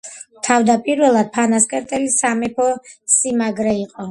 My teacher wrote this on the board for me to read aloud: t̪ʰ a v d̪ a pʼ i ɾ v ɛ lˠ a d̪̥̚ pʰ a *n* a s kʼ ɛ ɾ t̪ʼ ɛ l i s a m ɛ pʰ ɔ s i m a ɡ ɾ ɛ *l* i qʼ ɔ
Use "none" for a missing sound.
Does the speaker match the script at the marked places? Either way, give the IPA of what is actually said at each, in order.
n, none

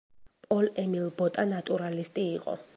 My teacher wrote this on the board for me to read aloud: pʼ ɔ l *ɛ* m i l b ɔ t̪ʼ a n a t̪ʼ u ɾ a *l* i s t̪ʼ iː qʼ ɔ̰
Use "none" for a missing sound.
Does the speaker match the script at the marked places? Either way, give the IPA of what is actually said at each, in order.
ɛ, l

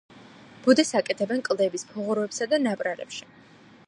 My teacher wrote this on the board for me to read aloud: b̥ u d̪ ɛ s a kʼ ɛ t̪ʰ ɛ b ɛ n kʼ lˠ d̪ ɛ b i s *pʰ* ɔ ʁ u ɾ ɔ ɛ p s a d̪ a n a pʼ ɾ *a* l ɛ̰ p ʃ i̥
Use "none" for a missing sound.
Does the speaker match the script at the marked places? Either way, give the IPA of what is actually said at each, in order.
pʰ, a

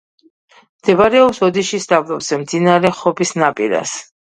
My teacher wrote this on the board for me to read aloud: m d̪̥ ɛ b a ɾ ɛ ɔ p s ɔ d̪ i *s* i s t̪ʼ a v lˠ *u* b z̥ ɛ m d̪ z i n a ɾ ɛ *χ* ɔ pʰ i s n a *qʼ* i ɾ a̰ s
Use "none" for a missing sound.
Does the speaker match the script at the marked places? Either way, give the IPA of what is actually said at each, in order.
ʃ, ɔ, χ, pʼ

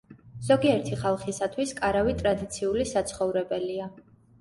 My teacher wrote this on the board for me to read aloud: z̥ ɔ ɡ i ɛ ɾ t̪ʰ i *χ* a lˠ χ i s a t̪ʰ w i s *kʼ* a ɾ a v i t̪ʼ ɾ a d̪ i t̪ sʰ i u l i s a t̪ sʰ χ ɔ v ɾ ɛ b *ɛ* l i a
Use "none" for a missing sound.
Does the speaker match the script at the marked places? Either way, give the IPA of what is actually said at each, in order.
χ, kʼ, ɛ

